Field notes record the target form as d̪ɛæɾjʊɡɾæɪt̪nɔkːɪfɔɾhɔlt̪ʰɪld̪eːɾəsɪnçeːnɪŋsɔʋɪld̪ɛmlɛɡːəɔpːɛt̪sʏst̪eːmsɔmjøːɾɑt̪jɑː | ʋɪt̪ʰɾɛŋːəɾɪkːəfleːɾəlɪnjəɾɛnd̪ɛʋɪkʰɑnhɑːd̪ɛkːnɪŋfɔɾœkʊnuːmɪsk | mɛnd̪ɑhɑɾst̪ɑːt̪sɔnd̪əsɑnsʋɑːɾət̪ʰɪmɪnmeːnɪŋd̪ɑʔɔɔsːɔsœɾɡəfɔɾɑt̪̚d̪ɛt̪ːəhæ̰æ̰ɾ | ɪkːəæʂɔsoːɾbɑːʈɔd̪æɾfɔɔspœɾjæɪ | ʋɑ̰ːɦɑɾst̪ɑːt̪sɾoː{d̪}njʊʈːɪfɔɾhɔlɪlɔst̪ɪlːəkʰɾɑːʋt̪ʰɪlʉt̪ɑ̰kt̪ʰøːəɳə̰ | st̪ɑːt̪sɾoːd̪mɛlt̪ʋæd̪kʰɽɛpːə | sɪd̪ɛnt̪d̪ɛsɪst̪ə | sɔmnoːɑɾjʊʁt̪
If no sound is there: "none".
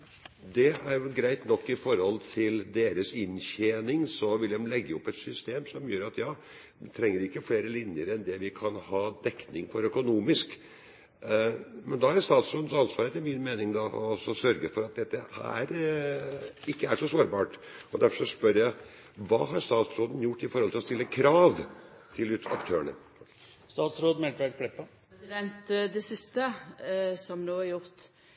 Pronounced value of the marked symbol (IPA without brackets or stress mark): d̪